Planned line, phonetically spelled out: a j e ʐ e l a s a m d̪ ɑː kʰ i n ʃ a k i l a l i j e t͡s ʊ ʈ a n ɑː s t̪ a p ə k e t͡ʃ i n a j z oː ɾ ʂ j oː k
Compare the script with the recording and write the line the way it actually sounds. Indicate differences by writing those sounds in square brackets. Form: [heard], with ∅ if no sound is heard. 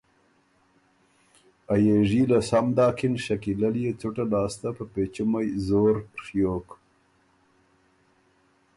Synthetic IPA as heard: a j e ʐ [i] l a s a m d̪ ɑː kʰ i n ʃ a k i l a l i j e t͡s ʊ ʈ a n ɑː s t̪ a p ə [p] e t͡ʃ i [m] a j z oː ɾ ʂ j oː k